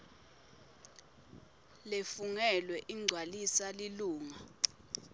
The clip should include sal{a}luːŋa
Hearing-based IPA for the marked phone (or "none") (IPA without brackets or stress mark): i